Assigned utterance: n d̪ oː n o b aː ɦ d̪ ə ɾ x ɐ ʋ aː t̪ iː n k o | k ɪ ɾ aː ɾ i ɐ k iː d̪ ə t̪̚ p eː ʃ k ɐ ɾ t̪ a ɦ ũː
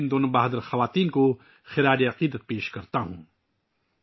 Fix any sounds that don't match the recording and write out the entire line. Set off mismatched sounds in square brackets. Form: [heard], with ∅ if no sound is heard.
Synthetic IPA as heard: n d̪ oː n o b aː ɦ d̪ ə ɾ x ɐ ʋ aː t̪ iː n k o | [x] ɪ ɾ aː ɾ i ɐ [q] iː d̪ ə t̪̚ p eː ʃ k ɐ ɾ t̪ a ɦ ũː